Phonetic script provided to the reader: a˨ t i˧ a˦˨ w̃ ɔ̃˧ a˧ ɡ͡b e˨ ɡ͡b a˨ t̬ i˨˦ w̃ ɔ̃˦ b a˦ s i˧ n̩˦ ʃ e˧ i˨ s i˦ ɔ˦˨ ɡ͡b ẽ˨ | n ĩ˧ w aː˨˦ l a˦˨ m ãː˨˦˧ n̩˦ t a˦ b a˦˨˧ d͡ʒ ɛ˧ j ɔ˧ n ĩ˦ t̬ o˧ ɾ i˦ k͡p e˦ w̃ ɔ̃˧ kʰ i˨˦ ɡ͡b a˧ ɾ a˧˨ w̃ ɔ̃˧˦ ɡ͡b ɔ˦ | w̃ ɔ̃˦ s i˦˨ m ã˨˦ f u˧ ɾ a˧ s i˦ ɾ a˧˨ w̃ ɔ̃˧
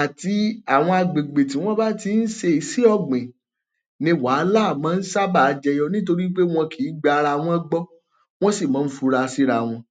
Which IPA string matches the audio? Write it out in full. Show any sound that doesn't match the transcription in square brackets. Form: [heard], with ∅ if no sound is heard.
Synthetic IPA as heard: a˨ t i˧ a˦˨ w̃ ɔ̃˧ a˧ ɡ͡b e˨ ɡ͡b [e˨] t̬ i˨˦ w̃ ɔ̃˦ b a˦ [t] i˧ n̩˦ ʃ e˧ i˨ s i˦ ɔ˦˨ ɡ͡b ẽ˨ | n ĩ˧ w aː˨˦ l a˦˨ m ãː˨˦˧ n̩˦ [s] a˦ b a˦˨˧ d͡ʒ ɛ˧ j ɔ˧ n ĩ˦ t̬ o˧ ɾ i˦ k͡p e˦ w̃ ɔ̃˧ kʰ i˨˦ ɡ͡b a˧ ɾ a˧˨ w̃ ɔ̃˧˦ ɡ͡b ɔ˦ | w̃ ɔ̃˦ s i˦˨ m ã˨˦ f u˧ ɾ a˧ s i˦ ɾ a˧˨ w̃ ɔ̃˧